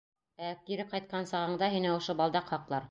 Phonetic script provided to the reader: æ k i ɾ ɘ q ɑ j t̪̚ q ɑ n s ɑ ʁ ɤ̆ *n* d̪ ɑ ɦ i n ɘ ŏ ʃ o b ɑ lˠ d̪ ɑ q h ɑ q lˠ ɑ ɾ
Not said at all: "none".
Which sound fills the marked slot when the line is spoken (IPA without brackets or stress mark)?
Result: ɴ